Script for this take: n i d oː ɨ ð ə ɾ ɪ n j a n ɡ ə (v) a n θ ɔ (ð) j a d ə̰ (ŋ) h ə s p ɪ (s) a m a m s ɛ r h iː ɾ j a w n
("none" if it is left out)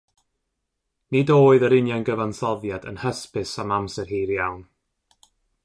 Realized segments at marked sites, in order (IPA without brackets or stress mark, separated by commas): v, ð, n, s